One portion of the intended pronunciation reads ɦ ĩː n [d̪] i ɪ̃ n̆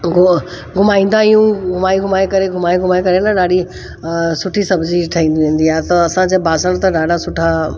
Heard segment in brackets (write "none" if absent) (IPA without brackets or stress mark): d̪